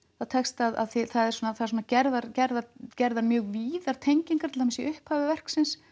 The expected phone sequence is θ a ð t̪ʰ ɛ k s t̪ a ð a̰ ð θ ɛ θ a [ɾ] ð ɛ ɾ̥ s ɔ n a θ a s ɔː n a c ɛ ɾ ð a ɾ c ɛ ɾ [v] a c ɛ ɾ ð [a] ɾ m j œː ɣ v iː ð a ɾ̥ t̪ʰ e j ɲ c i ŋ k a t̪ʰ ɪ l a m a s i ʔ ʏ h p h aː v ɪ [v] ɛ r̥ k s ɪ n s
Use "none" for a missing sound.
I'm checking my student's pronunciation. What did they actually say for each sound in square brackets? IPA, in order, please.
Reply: none, ð, a, v

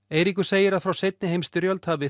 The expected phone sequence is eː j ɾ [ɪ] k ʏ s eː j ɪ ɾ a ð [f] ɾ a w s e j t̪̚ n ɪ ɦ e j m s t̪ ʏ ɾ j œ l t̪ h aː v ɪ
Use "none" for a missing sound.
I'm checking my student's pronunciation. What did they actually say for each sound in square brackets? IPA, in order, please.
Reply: i, f

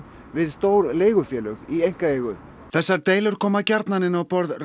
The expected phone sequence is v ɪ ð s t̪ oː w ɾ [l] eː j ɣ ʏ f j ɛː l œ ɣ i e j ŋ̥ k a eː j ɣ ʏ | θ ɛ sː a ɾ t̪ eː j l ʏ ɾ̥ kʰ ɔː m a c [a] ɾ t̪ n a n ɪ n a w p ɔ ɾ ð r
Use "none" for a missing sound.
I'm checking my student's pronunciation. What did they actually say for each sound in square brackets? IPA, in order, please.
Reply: l, a

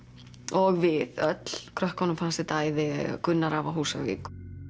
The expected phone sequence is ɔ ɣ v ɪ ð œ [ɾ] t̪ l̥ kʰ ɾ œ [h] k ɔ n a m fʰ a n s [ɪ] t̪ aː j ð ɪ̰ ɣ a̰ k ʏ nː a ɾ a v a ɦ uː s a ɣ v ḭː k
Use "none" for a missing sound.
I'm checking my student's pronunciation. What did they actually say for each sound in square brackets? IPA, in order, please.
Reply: none, h, ɪ

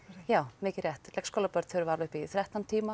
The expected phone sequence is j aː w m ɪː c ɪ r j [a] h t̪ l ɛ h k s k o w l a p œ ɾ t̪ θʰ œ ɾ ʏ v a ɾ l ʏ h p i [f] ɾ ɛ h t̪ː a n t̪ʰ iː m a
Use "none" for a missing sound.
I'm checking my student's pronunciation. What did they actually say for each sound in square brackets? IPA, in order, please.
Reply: ɛ, θ

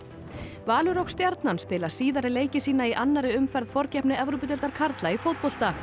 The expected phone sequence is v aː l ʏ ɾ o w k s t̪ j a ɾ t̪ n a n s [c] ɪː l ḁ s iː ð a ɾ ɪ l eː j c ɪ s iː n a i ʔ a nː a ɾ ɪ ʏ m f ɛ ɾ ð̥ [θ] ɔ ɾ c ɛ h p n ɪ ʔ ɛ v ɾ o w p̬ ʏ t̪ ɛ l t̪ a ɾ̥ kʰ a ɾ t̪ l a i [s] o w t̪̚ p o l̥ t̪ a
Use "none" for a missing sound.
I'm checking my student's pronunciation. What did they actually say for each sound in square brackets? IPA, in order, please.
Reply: p, f, f

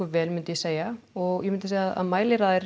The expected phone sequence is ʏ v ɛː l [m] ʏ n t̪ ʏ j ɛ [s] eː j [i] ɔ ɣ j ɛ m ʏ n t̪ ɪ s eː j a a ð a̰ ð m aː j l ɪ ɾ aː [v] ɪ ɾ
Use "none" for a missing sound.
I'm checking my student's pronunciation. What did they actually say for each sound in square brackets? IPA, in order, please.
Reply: m, s, a, ð

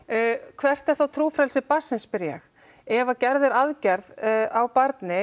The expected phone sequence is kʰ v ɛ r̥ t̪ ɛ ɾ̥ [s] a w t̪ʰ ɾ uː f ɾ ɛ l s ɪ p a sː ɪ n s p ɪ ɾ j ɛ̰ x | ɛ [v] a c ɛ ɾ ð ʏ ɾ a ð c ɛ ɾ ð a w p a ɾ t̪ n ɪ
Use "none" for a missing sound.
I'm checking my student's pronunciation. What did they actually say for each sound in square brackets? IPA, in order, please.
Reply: θ, v

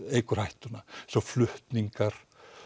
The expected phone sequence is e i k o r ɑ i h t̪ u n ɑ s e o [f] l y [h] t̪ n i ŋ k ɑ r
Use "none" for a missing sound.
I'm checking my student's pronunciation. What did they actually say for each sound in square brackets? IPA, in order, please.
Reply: f, h

